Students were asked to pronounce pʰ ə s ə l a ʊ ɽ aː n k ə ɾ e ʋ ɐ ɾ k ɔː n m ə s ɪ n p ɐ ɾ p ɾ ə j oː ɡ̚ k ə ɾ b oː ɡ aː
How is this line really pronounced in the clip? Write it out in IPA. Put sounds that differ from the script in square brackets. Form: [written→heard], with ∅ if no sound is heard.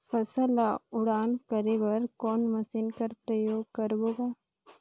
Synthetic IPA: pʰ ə s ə l a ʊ ɽ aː n k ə ɾ e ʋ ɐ ɾ k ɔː n m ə s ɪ n [p→k] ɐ ɾ p ɾ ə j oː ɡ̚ k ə ɾ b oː ɡ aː